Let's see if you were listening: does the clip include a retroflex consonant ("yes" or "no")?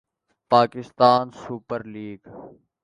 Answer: no